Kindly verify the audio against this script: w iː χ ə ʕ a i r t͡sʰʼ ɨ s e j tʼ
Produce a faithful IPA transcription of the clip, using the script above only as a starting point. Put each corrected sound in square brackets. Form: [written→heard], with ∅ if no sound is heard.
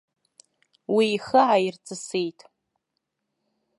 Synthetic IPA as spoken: w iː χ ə ʕ a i r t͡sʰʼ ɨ s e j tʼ